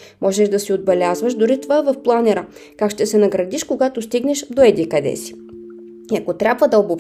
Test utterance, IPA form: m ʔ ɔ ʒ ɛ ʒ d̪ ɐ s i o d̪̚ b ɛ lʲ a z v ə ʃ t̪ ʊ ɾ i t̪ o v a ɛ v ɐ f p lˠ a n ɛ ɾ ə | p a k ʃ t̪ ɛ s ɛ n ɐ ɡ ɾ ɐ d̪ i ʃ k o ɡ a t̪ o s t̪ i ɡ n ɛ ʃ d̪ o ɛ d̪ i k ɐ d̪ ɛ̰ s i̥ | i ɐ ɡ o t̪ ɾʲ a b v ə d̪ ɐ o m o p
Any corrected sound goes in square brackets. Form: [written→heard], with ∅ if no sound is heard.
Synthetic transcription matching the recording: m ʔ ɔ ʒ ɛ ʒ d̪ ɐ s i o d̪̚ b ɛ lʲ a z v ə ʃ [t̪→d̪] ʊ ɾ i t̪ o v a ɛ v ɐ f p lˠ a n ɛ ɾ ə | [p→k] a k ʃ t̪ ɛ s ɛ n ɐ ɡ ɾ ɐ d̪ i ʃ k o ɡ a t̪ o s t̪ i ɡ n ɛ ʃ d̪ o ɛ d̪ i k ɐ d̪ ɛ̰ s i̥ | i ɐ [ɡ→k] o t̪ ɾʲ a b v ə d̪ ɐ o [m→b] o p